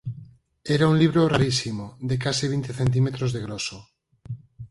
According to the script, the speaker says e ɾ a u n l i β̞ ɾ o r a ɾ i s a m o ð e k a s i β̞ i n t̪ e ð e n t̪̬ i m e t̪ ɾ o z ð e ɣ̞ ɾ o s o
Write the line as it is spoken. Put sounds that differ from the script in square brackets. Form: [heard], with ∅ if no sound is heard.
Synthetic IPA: e ɾ a u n l i β̞ ɾ o r a ɾ i s [i] m o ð e k a s i β̞ i n t̪ e [θ] e n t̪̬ i m e t̪ ɾ o z ð e ɣ̞ ɾ o s o

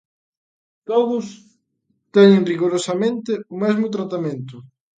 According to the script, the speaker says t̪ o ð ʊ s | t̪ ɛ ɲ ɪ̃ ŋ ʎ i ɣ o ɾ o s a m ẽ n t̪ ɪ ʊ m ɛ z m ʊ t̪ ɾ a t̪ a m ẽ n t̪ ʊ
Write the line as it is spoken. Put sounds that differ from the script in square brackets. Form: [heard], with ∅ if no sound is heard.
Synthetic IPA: t̪ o ð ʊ s | t̪ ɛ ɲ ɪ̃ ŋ [r] i ɣ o ɾ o s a m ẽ n t̪ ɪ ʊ m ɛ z m ʊ t̪ ɾ a t̪ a m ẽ n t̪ ʊ

